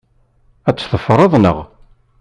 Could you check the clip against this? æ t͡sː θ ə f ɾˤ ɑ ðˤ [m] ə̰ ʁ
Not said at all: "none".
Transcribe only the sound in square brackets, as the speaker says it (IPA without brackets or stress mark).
n